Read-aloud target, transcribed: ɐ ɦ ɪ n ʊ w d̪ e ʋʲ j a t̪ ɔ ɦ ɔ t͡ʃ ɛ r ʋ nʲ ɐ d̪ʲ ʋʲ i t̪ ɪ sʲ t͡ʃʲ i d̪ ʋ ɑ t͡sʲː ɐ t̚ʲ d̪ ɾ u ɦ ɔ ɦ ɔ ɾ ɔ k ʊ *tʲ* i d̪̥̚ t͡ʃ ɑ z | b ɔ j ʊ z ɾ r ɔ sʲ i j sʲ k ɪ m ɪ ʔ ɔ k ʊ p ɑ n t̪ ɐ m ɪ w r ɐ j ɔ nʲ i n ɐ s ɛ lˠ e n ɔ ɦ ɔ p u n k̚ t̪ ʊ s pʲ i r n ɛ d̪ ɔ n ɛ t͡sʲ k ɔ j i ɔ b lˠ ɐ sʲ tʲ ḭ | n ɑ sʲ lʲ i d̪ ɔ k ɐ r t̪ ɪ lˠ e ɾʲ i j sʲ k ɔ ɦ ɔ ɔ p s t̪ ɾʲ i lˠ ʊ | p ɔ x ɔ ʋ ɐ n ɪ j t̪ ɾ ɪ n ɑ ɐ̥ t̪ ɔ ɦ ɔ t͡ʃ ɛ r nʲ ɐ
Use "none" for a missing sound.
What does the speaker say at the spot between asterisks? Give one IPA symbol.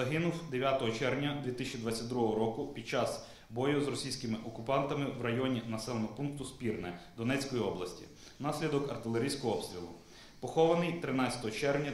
pʲ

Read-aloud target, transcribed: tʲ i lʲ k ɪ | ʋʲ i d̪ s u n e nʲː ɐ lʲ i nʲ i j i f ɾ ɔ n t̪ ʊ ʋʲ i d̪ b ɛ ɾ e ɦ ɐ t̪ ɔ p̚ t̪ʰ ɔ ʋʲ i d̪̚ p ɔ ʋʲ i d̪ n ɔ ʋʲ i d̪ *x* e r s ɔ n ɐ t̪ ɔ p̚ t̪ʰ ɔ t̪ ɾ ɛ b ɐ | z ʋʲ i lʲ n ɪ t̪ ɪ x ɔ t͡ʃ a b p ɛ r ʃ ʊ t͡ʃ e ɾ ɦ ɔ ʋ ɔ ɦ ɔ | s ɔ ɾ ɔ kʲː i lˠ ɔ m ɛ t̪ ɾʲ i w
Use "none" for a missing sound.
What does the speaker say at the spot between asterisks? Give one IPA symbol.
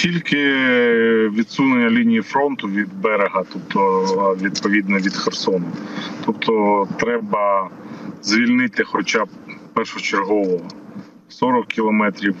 x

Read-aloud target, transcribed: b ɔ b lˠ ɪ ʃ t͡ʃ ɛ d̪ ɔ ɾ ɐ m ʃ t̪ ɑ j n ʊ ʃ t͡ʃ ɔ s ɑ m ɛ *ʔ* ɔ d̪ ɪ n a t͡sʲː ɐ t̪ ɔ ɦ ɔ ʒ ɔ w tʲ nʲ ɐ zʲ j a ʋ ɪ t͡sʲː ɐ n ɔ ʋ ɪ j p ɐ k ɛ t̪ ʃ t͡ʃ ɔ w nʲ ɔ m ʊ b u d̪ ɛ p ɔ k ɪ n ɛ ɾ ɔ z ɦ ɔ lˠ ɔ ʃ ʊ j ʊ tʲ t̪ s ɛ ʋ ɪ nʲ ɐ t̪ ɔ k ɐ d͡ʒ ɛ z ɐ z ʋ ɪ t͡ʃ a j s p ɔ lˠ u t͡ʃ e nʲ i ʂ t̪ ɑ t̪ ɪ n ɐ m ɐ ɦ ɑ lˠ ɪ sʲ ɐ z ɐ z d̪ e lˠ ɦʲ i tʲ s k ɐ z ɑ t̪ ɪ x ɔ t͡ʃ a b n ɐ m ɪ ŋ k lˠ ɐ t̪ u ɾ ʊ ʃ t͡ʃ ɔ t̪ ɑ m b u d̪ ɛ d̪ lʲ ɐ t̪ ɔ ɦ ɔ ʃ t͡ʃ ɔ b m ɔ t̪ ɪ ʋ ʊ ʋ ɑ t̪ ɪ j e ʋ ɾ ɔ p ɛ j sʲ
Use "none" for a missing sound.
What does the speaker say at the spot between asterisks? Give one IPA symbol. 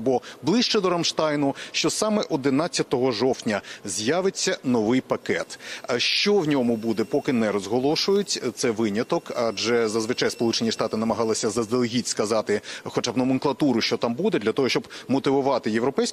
ʔ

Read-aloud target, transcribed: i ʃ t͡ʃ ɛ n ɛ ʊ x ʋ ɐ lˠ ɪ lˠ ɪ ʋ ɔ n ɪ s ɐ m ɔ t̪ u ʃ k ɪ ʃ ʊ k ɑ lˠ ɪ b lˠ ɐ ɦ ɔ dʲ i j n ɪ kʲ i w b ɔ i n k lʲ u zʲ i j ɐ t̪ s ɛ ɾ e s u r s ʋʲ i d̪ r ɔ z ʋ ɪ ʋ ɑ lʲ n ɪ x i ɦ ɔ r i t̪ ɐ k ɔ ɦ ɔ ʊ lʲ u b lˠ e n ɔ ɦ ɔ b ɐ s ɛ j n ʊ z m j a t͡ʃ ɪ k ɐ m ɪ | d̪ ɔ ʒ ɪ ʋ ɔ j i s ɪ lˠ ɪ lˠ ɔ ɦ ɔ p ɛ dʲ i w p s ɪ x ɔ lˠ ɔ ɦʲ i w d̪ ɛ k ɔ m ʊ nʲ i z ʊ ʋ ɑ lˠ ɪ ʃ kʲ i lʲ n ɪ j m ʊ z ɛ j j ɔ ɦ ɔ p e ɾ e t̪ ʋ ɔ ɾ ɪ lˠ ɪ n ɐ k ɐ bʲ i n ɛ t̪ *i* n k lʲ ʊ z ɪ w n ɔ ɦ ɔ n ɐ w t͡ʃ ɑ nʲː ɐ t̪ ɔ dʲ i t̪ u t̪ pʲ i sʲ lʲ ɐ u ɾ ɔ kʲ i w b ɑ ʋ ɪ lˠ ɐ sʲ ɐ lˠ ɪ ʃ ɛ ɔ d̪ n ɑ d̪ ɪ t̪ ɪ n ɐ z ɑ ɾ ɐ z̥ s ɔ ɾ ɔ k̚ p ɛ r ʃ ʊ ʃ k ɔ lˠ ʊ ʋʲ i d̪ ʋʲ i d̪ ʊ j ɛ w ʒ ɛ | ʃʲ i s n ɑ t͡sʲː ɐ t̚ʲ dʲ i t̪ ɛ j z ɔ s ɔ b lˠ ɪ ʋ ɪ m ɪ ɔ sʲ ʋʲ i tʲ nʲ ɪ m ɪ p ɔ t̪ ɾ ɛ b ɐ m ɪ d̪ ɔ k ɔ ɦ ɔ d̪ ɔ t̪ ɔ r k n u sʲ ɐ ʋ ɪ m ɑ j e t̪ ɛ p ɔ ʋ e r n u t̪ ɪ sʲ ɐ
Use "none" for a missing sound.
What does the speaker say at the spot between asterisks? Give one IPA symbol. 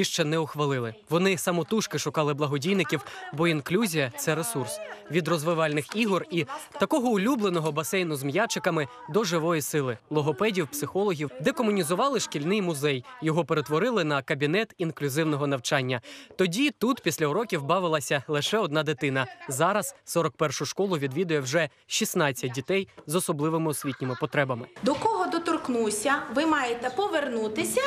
i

